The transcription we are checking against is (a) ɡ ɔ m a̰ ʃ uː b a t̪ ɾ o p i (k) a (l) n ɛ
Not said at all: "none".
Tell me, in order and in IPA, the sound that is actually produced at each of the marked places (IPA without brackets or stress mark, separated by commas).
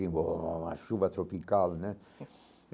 i, k, l